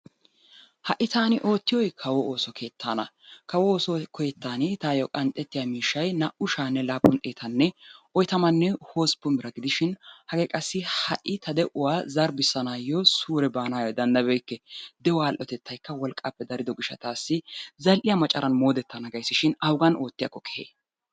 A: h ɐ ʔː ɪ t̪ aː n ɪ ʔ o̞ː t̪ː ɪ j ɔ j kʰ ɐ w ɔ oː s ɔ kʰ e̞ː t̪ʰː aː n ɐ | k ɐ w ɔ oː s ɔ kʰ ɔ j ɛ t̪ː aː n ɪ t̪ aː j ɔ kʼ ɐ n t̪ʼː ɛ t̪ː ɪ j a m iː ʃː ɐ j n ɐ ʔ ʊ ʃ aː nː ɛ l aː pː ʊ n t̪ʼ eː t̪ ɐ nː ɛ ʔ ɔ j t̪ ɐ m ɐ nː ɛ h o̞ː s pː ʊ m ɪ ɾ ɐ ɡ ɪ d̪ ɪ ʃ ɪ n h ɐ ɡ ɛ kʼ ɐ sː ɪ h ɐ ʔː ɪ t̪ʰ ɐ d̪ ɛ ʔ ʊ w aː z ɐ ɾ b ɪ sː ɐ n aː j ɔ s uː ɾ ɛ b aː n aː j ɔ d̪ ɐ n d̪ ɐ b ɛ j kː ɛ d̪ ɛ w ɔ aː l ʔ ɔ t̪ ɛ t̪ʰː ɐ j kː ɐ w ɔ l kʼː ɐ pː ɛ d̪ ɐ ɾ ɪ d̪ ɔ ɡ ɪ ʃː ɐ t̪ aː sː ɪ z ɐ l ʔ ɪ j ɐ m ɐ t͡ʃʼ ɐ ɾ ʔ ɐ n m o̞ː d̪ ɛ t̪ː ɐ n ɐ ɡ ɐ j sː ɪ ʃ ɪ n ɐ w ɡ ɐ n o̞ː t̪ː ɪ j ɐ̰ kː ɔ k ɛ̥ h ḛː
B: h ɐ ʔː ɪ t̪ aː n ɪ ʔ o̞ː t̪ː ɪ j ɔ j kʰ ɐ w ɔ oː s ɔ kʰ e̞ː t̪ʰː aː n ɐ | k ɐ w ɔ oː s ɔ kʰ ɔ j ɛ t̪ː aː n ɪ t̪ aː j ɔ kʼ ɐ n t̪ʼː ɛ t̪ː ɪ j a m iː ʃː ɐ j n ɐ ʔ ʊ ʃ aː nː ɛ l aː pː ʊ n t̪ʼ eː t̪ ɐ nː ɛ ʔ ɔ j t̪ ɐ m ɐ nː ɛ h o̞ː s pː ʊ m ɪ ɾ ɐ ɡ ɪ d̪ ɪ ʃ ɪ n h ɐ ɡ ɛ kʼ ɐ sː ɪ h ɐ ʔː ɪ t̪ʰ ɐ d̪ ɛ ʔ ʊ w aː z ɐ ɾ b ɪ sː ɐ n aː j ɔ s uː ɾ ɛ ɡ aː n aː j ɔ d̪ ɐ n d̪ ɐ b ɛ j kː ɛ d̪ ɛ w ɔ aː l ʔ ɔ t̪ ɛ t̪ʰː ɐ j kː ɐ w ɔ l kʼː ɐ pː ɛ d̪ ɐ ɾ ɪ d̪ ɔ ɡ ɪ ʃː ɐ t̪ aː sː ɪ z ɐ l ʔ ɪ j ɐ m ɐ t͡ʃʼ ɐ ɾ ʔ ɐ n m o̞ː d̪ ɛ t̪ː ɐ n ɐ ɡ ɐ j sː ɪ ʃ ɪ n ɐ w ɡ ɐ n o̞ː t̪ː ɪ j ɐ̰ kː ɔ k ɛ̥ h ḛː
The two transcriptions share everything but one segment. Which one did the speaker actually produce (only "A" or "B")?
A